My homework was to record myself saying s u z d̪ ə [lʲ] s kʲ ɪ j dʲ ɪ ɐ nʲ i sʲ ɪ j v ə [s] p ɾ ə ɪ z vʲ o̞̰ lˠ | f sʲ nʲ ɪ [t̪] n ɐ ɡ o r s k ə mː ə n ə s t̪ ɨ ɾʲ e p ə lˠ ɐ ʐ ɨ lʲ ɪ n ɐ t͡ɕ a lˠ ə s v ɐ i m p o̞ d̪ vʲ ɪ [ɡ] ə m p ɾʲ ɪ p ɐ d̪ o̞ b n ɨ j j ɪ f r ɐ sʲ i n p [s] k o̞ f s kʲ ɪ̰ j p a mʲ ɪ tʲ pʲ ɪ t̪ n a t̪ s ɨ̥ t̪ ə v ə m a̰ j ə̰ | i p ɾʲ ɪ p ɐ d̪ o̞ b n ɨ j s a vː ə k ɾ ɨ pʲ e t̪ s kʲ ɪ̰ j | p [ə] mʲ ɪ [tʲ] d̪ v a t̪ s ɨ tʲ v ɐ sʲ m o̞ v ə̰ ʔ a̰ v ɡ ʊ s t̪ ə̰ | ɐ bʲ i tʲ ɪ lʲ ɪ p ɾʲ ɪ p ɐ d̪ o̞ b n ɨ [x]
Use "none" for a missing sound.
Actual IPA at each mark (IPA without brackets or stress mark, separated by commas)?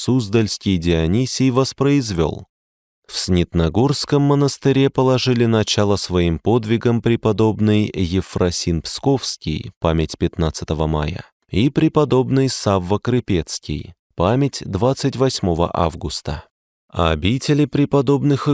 lʲ, s, t̪, ɡ, s, a, tʲ, x